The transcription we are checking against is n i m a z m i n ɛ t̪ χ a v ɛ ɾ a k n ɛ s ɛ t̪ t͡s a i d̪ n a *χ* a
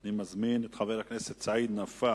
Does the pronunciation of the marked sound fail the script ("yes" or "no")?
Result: yes